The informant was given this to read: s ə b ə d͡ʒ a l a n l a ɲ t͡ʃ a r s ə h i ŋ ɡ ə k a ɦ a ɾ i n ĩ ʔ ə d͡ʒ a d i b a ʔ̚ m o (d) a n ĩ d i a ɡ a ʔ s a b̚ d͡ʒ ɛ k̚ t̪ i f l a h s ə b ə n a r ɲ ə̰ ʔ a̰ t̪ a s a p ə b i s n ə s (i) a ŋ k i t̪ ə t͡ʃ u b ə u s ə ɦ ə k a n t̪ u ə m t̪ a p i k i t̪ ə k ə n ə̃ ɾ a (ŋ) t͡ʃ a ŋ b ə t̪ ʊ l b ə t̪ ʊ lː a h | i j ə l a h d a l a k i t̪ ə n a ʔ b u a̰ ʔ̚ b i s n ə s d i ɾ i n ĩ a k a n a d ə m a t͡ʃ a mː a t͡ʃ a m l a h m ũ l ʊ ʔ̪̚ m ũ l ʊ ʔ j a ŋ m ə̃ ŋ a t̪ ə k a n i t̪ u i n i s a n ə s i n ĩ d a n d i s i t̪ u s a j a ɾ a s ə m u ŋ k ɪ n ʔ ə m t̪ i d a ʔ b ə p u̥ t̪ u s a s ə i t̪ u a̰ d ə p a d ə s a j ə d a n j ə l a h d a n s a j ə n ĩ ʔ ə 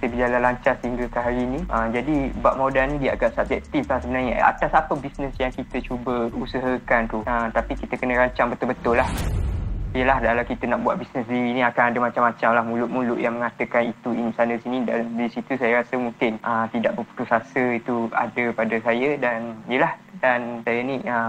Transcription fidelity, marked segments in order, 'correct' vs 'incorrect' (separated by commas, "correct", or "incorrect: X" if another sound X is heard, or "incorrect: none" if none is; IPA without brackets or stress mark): correct, incorrect: j, incorrect: ɲ